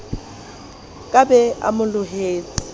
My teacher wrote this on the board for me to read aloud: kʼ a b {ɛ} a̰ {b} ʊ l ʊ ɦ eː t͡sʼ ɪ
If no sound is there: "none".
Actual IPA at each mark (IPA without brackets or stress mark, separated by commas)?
ɛ, m